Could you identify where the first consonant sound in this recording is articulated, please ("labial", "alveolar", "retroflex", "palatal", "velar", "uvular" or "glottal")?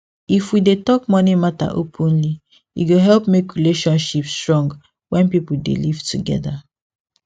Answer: labial